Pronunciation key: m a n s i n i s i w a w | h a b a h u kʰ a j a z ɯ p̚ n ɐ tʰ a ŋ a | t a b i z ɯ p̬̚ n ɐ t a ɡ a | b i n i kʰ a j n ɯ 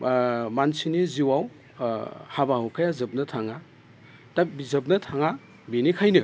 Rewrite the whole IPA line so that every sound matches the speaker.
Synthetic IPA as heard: m a n s i n i z i w a w | h a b a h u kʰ a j a z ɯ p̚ n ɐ tʰ a ŋ a | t a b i z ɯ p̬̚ n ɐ tʰ a ŋ a | b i n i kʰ a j n ɯ